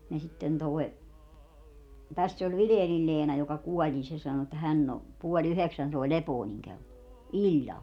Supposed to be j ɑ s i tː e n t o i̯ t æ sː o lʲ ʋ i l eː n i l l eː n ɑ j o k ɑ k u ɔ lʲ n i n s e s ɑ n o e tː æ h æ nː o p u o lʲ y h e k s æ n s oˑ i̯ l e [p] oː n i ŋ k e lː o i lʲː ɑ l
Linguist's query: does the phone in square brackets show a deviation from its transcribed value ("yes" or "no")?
no